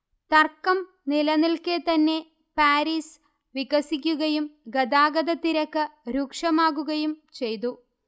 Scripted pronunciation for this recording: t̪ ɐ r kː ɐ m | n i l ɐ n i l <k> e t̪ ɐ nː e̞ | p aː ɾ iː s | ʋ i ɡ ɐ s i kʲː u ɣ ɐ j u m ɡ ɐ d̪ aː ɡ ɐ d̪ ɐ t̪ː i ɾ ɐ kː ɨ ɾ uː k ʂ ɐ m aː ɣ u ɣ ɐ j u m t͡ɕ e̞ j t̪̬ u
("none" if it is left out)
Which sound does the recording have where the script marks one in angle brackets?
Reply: k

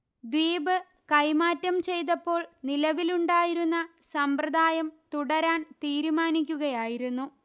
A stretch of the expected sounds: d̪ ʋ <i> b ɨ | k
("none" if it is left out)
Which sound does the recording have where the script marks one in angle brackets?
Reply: iː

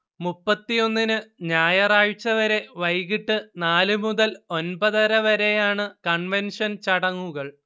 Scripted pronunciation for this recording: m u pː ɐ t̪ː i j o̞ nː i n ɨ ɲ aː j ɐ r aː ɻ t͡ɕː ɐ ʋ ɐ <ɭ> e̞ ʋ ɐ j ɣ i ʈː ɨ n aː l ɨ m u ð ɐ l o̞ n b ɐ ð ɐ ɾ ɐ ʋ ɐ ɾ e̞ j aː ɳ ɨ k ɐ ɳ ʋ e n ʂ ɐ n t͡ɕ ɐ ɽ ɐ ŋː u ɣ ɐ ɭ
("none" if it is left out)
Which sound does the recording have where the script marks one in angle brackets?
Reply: ɾ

